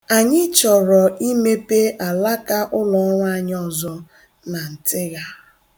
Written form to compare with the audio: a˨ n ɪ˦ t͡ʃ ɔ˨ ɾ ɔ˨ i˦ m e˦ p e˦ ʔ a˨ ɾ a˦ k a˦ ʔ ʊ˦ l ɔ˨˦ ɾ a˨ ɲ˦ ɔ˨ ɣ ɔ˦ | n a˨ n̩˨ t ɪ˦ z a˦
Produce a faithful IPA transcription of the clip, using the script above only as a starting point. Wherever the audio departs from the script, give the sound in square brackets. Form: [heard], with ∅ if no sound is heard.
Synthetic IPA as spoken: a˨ [ɲ] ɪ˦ t͡ʃ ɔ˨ ɾ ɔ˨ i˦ m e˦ p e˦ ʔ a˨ [l] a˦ k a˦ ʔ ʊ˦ l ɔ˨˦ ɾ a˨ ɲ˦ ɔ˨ [z] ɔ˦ | n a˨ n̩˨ t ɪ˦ [ɣ] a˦

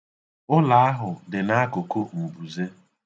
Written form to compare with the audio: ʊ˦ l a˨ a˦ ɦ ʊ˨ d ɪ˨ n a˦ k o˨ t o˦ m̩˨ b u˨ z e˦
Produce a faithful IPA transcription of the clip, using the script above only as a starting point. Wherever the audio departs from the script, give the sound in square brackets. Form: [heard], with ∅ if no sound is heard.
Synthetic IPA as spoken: ʊ˦ l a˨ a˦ ɦ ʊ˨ d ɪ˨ n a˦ k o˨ [k] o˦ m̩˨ b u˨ z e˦

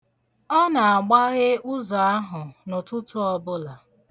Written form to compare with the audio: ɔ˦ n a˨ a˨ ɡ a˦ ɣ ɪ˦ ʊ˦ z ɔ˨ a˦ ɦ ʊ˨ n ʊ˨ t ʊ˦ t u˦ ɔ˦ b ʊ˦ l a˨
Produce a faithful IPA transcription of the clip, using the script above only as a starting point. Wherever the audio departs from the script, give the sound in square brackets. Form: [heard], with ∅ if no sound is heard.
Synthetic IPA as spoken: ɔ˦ n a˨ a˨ [ɡ͡b] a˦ ɣ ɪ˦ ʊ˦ z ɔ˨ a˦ ɦ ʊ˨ n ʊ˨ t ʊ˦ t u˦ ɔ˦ b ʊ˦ l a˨

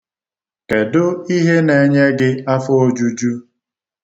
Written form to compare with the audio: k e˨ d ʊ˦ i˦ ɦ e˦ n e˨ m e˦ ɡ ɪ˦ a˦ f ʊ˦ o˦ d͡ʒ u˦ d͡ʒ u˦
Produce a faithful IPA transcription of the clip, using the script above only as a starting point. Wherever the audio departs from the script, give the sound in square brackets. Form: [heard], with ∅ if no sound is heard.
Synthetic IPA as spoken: k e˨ d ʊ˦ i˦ ɦ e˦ n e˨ [ɲ] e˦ ɡ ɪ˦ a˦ f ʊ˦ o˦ d͡ʒ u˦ d͡ʒ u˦

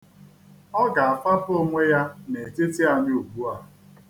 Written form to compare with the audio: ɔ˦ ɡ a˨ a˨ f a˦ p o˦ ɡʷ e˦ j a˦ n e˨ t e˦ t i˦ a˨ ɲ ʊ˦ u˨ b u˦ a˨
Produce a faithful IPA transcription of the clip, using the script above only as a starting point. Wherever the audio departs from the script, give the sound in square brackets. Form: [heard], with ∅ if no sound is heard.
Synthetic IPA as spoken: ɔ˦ ɡ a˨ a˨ f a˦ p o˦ [ŋʷ] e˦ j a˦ n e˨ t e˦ t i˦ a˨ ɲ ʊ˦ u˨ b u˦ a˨

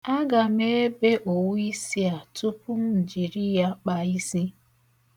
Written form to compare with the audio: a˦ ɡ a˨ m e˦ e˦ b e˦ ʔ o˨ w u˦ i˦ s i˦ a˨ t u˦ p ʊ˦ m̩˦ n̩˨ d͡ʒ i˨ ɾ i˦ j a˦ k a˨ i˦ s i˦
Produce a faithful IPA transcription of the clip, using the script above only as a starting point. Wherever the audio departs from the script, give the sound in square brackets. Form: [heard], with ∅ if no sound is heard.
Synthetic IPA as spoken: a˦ ɡ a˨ m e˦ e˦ b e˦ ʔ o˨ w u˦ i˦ s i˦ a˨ t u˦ p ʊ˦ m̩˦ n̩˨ d͡ʒ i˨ ɾ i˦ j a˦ [k͡p] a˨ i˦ s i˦

